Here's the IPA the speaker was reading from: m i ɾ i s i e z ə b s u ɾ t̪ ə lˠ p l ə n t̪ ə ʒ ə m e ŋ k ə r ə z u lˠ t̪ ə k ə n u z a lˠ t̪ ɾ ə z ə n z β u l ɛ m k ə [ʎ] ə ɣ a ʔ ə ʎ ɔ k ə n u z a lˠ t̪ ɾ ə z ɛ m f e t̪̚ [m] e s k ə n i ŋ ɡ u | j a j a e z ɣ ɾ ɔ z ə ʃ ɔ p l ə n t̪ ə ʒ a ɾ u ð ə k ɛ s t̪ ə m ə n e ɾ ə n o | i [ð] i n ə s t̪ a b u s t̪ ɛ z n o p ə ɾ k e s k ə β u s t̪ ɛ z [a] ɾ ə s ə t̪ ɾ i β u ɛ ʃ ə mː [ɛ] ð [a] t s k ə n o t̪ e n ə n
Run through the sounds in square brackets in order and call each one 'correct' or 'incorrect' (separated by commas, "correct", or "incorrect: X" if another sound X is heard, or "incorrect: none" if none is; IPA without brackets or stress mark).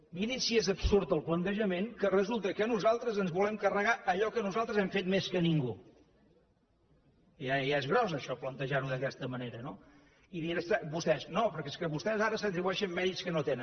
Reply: incorrect: r, correct, correct, correct, correct, incorrect: i